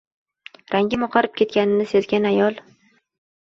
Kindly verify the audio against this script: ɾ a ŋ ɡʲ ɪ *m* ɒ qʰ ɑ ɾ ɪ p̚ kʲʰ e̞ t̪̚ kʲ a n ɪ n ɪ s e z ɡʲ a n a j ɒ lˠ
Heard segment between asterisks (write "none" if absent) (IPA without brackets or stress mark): m